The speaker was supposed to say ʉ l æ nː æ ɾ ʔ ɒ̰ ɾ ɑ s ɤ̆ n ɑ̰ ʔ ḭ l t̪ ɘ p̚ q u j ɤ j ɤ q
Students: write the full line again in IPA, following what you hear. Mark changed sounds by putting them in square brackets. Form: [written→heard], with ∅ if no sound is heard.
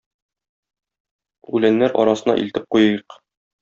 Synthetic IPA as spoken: ʉ l æ nː æ ɾ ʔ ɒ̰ ɾ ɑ s ɤ̆ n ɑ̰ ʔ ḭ l t̪ ɘ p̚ q u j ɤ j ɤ q